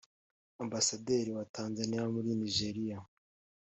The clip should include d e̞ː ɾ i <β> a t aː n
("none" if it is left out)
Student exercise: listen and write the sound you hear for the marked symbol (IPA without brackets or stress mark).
w